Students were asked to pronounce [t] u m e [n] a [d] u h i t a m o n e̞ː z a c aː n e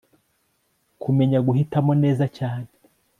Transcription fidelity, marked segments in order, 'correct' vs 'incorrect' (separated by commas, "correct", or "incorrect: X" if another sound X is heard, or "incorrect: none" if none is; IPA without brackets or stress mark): incorrect: k, incorrect: ɲ, incorrect: ɡ